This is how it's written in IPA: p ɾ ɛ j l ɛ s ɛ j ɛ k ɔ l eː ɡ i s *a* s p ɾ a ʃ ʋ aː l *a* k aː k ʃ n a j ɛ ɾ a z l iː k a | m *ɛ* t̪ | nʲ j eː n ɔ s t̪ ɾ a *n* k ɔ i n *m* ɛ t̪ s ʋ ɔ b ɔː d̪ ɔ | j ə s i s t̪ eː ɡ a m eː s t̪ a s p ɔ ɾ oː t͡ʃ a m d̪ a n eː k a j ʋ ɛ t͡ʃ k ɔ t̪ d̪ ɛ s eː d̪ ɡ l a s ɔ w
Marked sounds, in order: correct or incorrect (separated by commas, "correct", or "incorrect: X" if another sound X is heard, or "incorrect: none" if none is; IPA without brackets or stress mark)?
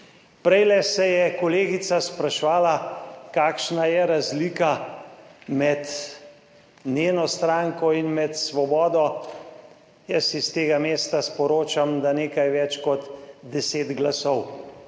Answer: correct, correct, correct, incorrect: ŋ, correct